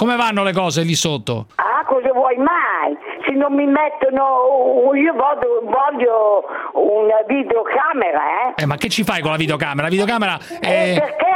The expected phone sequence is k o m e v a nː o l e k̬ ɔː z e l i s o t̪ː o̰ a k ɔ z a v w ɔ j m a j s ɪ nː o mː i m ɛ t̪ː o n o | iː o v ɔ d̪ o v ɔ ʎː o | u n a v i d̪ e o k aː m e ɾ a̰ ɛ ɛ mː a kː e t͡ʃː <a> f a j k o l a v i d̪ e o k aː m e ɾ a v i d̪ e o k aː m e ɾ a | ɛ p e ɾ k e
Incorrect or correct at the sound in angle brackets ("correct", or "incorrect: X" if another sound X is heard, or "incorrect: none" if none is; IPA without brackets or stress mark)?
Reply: incorrect: i